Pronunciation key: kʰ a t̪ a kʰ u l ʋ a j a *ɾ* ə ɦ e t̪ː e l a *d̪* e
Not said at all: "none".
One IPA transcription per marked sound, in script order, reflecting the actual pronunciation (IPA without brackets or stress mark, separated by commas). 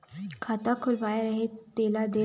ɾ, d̪